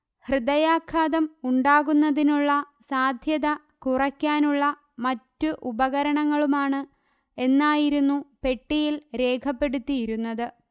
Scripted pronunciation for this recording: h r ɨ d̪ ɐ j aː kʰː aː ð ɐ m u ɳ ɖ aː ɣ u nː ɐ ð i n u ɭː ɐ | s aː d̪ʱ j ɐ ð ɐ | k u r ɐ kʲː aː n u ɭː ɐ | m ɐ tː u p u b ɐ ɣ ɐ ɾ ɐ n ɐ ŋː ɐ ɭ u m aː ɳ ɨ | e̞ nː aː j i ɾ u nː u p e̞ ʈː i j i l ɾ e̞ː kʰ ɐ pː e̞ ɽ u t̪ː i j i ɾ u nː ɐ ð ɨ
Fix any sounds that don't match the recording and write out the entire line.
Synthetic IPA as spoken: h r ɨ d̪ ɐ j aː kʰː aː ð ɐ m u ɳ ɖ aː ɣ u nː ɐ ð i n u ɭː ɐ | s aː d̪ʱ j ɐ ð ɐ | k u r ɐ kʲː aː n u ɭː ɐ | m ɐ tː u ʔ u b ɐ ɣ ɐ ɾ ɐ ɳ ɐ ŋː ɐ ɭ u m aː ɳ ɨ | e̞ nː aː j i ɾ u nː u p e̞ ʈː i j i l ɾ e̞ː kʰ ɐ pː e̞ ɽ u t̪ː i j i ɾ u nː ɐ ð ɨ

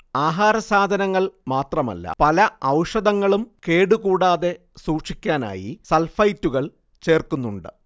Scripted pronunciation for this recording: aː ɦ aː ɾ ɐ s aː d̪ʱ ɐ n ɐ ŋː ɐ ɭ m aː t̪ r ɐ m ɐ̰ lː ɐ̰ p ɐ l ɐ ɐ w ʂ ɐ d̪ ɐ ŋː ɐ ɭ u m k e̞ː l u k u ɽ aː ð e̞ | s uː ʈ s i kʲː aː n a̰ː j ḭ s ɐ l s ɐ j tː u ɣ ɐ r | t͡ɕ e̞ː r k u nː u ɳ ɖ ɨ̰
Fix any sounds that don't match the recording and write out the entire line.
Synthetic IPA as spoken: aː ɦ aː ɾ ɐ s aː d̪ʱ ɐ n ɐ ŋː ɐ ɭ m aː t̪ r ɐ m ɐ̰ lː ɐ̰ p ɐ l ɐ ɐ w ʂ ɐ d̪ ɐ ŋː ɐ ɭ u m k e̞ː ɽ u k uː ɽ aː ð e̞ | s uː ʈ ʂ i kʲː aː n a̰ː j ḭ s ɐ l f ɐ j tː u ɣ ɐ ɭ | t͡ɕ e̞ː r k u nː u ɳ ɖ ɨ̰

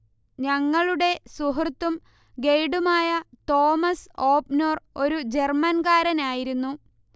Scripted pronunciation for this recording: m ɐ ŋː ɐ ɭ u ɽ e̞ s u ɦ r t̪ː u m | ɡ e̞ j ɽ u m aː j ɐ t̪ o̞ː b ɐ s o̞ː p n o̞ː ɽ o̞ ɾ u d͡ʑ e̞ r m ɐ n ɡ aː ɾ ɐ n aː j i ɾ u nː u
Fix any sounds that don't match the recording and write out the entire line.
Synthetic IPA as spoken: ɲ ɐ ŋː ɐ ɭ u ɽ e̞ s u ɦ r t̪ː u m | ɡ e̞ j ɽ u m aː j ɐ t̪ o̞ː m ɐ s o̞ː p n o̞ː r o̞ ɾ u d͡ʑ e̞ r m ɐ n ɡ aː ɾ ɐ n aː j i ɾ u nː u

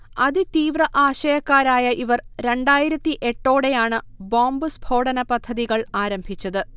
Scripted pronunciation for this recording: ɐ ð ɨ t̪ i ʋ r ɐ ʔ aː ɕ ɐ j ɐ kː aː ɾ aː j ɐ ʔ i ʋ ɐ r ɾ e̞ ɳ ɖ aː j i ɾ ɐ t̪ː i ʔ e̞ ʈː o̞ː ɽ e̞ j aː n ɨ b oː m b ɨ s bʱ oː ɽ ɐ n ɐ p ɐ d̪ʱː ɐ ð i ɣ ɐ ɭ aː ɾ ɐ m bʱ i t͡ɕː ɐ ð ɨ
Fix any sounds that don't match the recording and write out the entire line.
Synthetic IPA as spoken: ɐ ð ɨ t̪ iː ʋ r ɐ ʔ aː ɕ ɐ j ɐ kː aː ɾ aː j ɐ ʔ i ʋ ɐ r ɾ e̞ ɳ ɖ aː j i ɾ ɐ t̪ː i ʔ e̞ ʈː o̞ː ɽ e̞ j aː ɳ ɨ b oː m b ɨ s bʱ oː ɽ ɐ n ɐ p ɐ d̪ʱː ɐ ð i ɣ ɐ ɭ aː ɾ ɐ m bʱ i t͡ɕː ɐ ð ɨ

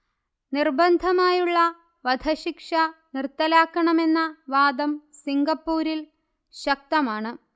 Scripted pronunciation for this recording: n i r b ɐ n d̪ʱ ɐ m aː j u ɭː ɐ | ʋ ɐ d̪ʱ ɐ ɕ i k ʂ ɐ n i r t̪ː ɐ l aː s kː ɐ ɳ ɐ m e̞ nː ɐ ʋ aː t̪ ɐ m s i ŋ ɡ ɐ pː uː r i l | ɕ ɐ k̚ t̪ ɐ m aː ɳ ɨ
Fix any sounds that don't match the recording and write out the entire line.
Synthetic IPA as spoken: n i r b ɐ n d̪ʱ ɐ m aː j u ɭː ɐ | ʋ ɐ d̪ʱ ɐ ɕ i k ʂ ɐ n i r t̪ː ɐ l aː kː ɐ ɳ ɐ m e̞ nː ɐ ʋ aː d̪ ɐ m s i ŋ ɡ ɐ pː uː ɾ i l | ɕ ɐ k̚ t̪ ɐ m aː ɳ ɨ

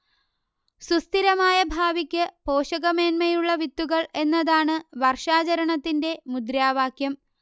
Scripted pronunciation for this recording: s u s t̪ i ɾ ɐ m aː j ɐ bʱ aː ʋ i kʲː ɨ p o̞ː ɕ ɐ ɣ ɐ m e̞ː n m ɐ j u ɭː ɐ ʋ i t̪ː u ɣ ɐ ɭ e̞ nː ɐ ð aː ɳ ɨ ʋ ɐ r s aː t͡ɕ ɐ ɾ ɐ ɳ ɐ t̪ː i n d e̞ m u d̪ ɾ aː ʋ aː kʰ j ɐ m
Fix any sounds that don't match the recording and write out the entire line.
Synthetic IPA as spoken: s u s t̪ i ɾ ɐ m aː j ɐ bʱ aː ʋ i kʲː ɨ p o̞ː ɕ ɐ ɣ ɐ m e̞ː n m ɐ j u ɭː ɐ ʋ i t̪ː u ɣ ɐ ɭ e̞ nː ɐ ð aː ɳ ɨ ʋ ɐ r ʂ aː t͡ɕ ɐ ɾ ɐ ɳ ɐ t̪ː i n d e̞ m u d̪ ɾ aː ʋ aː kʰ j ɐ m

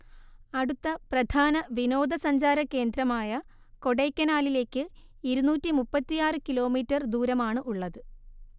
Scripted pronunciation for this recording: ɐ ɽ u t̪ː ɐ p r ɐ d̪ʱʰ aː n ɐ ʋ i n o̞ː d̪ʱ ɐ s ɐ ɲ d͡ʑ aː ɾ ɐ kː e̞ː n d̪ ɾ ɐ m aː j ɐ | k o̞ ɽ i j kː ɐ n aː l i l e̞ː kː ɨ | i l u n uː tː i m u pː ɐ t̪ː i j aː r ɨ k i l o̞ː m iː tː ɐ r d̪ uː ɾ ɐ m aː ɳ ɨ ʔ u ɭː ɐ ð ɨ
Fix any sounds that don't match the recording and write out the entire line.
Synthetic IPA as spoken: ɐ ɽ u t̪ː ɐ p r ɐ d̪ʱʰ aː n ɐ ʋ i n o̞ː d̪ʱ ɐ s ɐ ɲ d͡ʑ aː ɾ ɐ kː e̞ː n d̪ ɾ ɐ m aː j ɐ | k o̞ ɽ e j kː ɐ n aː l i l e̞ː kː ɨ | i ɾ u n uː tː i m u pː ɐ t̪ː i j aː r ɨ k i l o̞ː m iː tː ɐ r d̪ uː ɾ ɐ m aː ɳ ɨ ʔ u ɭː ɐ ð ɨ

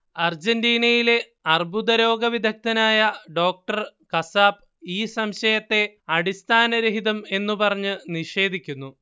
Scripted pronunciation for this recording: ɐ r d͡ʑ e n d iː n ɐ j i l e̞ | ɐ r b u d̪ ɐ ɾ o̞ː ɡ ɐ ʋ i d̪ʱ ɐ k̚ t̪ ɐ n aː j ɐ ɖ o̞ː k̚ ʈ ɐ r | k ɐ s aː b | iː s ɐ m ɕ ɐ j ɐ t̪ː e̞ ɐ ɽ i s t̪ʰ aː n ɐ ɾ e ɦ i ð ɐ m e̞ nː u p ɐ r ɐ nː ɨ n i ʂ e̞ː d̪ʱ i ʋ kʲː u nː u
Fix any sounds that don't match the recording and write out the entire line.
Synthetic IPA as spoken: ɐ r d͡ʑ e n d iː n ɐ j i l e̞ | ɐ r b u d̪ ɐ ɾ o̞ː ɡ ɐ ʋ i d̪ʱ ɐ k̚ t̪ ɐ n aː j ɐ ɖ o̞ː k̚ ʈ ɐ r | k ɐ s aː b | iː s ɐ m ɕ ɐ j ɐ t̪ː e̞ ɐ ɽ i s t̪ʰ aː n ɐ ɾ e ɦ i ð ɐ m e̞ nː u p ɐ r ɐ ɲː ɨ n i ʂ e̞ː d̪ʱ i kʲː u nː u

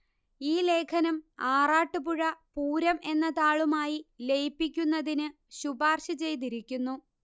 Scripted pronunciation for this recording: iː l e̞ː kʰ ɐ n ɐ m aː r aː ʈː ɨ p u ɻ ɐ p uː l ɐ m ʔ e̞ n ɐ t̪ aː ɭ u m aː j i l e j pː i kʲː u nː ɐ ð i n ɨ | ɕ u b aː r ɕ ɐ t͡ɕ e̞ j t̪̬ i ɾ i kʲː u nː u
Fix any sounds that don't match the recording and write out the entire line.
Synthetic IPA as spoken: iː l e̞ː kʰ ɐ n ɐ m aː r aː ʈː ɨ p u ɻ ɐ p uː ɾ ɐ m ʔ e̞ nː ɐ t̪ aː ɭ u m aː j i l e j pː i kʲː u nː ɐ ð i n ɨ | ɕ u b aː r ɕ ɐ t͡ɕ e̞ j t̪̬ i ɾ i kʲː u nː u

